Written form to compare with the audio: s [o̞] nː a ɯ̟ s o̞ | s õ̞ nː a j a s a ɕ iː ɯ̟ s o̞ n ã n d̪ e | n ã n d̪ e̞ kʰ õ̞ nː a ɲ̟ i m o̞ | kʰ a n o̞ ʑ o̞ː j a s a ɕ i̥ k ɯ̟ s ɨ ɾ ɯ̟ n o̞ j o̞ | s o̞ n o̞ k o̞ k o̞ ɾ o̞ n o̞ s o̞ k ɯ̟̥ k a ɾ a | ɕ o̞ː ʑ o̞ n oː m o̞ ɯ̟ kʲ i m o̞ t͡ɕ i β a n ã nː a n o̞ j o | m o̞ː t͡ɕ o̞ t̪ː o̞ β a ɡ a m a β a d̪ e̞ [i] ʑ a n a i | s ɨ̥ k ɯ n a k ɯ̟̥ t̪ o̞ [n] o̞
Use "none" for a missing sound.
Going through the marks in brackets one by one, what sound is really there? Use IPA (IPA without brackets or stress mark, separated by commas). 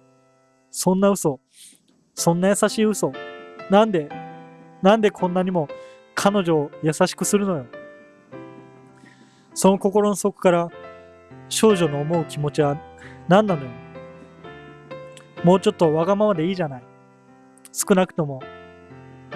õ̞, iː, m